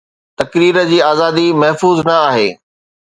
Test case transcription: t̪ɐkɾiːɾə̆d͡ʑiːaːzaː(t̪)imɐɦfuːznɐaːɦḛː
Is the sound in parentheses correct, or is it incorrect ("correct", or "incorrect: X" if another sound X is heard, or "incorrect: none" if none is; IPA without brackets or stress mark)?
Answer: incorrect: d̪